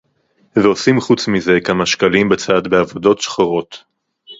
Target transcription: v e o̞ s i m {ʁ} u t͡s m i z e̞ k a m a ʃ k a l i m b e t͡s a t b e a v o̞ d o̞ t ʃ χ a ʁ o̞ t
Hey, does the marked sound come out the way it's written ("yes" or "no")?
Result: no